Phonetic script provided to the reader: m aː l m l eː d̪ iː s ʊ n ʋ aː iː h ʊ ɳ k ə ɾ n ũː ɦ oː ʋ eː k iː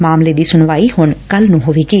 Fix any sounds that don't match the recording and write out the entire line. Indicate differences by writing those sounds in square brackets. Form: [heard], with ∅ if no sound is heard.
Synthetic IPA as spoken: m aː [∅] m l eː d̪ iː s ʊ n ʋ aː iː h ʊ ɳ k ə [l] n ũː ɦ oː ʋ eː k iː